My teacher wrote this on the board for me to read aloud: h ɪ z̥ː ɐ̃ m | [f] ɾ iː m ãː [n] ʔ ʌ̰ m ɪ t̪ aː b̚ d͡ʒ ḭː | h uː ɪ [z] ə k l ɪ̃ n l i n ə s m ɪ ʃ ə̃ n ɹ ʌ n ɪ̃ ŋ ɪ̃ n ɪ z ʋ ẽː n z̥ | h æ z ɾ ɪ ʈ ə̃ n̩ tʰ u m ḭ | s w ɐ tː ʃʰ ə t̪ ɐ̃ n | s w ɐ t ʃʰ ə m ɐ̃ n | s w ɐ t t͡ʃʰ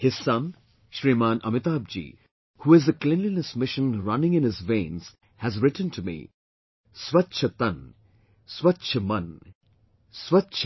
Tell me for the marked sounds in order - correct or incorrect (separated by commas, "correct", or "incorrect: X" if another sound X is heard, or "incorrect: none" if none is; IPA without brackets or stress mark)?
incorrect: ʃ, correct, correct